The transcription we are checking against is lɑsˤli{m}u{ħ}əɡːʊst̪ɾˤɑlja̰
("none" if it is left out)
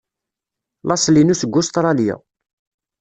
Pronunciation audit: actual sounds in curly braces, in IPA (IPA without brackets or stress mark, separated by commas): n, s